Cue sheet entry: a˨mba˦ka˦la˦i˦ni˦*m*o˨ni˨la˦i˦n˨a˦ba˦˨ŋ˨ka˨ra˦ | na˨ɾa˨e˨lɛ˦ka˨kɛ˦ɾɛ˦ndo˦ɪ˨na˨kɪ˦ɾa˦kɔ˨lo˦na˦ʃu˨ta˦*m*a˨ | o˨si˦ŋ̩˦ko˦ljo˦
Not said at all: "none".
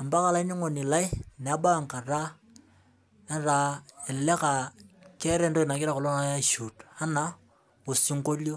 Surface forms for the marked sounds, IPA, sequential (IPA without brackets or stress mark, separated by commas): ŋ, n